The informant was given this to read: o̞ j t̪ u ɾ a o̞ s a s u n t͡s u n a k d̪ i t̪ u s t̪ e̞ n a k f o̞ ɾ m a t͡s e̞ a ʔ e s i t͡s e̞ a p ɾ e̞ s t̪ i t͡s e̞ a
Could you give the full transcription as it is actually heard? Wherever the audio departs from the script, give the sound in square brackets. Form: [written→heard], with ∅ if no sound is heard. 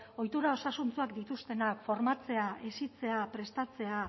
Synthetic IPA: o̞ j t̪ u ɾ a o̞ s a s u n t͡s u [n→∅] a k d̪ i t̪ u s t̪ e̞ n a k f o̞ ɾ m a t͡s e̞ a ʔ e s i t͡s e̞ a p ɾ e̞ s t̪ [i→a] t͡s e̞ a